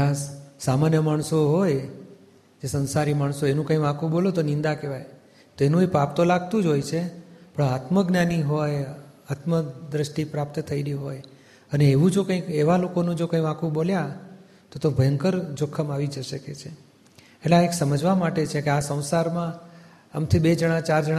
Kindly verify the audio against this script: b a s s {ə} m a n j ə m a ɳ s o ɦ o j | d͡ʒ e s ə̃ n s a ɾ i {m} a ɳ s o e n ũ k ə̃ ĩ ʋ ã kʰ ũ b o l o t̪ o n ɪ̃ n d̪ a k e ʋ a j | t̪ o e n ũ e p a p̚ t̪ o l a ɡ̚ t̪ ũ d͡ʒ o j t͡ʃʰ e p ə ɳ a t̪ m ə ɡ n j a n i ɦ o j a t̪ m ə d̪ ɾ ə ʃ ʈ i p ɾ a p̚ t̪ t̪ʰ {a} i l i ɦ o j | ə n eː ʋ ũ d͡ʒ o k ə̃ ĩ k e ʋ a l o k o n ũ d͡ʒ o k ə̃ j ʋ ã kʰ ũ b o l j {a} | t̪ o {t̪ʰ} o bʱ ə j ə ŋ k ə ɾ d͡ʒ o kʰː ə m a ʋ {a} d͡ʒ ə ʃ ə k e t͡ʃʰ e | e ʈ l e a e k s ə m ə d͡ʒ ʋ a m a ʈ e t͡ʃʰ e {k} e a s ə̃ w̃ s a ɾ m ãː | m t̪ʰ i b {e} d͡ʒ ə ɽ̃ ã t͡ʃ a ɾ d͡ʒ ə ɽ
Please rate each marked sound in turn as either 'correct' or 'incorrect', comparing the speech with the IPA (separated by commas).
incorrect, correct, incorrect, correct, incorrect, incorrect, correct, correct